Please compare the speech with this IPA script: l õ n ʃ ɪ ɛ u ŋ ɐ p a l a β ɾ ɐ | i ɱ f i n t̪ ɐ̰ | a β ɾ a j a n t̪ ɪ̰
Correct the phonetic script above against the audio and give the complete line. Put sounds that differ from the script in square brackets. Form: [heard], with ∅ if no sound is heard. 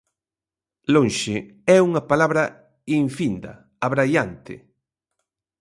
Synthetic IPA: l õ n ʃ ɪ ɛ u ŋ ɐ p a l a β ɾ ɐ | i ɱ f i n [d̪] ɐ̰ | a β ɾ a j a n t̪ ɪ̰